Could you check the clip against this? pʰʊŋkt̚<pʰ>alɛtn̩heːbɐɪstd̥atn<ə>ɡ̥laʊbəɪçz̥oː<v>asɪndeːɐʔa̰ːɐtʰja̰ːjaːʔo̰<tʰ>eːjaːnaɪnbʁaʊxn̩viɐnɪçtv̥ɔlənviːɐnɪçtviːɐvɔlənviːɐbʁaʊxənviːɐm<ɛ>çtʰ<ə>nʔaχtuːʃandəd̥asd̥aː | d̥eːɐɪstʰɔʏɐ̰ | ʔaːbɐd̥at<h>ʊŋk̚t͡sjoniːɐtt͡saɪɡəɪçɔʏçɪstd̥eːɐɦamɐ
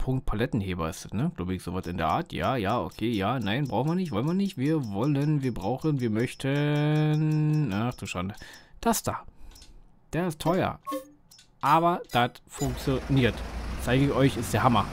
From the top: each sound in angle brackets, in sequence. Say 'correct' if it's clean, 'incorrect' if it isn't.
correct, correct, correct, incorrect, incorrect, correct, incorrect

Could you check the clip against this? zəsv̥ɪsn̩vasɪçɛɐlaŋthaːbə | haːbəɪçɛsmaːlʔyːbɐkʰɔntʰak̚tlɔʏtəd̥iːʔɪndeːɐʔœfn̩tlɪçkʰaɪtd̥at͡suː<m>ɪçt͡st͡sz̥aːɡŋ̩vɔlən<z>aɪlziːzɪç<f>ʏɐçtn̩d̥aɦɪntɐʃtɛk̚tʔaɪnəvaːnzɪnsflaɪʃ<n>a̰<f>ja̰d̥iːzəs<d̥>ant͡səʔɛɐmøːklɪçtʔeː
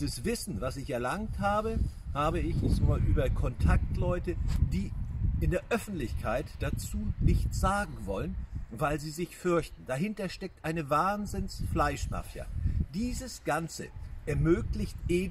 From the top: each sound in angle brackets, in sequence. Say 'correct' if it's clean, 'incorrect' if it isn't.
incorrect, incorrect, correct, incorrect, correct, incorrect

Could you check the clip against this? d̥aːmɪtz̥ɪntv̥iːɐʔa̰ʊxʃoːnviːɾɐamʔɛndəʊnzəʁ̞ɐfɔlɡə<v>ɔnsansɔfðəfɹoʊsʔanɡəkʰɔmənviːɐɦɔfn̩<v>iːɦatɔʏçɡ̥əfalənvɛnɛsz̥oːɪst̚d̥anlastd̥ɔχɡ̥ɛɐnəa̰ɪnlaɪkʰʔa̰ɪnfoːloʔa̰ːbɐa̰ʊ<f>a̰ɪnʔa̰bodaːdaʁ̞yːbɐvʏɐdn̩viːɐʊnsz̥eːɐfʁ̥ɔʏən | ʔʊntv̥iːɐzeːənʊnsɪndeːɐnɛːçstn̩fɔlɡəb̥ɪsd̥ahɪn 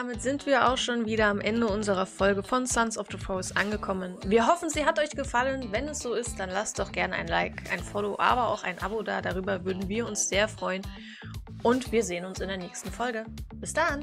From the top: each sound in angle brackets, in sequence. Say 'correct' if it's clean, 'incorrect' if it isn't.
incorrect, incorrect, incorrect

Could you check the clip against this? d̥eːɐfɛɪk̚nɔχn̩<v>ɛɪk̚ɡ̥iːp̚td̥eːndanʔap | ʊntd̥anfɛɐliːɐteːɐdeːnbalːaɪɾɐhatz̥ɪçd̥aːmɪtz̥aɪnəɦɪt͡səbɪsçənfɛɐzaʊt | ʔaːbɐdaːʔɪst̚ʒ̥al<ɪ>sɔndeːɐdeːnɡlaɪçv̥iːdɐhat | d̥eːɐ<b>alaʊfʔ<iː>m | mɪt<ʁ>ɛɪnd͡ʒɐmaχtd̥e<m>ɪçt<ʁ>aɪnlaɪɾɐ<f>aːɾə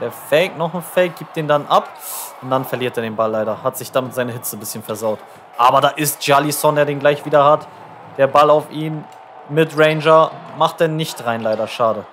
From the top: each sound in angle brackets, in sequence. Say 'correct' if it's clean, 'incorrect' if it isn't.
incorrect, incorrect, correct, correct, correct, incorrect, correct, incorrect

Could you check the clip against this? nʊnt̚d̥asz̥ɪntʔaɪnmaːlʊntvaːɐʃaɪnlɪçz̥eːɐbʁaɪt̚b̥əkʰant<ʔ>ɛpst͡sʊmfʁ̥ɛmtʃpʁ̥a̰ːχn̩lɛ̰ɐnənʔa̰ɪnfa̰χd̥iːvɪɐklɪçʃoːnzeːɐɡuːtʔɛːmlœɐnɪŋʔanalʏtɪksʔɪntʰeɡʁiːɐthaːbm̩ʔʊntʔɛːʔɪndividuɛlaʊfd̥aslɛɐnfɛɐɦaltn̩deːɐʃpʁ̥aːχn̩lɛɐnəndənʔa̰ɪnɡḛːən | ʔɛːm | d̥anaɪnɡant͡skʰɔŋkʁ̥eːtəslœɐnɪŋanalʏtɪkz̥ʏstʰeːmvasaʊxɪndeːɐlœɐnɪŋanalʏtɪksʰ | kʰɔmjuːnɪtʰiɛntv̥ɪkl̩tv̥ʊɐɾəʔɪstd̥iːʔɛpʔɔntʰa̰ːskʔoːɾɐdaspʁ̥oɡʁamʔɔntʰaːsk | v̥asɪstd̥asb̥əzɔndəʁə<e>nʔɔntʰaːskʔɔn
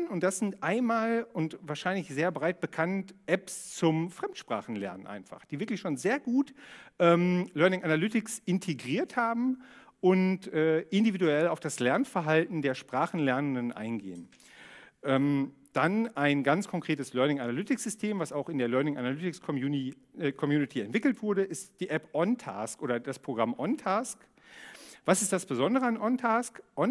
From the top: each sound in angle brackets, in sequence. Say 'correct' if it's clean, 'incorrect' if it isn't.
correct, incorrect

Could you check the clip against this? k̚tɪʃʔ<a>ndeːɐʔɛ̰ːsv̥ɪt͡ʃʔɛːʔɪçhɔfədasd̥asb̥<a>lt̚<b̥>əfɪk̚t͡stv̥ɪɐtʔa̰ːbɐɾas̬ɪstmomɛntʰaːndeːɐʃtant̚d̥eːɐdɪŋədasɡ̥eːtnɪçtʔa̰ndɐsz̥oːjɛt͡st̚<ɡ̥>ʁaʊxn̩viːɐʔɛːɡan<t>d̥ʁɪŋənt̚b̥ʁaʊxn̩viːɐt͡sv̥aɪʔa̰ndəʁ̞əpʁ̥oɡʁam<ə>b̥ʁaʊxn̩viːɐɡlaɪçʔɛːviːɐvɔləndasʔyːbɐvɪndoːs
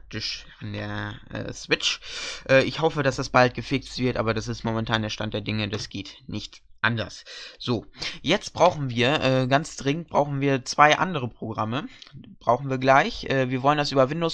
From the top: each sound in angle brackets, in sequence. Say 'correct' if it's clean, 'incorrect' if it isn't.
correct, correct, incorrect, incorrect, incorrect, correct

